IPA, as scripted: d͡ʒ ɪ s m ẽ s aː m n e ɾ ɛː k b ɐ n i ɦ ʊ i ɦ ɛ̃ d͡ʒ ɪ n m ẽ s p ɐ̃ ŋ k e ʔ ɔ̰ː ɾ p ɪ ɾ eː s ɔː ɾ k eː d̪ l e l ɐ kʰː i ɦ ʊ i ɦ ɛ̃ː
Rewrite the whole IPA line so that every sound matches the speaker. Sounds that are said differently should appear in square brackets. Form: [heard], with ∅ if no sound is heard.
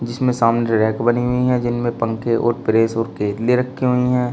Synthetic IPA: d͡ʒ ɪ s m ẽ s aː m n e ɾ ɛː k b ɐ n i ɦ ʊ i ɦ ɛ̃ d͡ʒ ɪ n m ẽ [∅] p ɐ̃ ŋ k e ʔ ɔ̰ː ɾ p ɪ ɾ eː s ɔː ɾ k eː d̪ l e [ɾ] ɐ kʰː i ɦ ʊ i ɦ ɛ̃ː